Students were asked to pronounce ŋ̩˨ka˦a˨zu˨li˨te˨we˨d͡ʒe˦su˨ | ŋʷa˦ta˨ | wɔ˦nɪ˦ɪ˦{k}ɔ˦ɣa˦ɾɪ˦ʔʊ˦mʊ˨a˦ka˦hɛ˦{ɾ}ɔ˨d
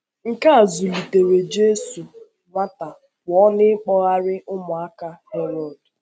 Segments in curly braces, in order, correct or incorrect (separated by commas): incorrect, correct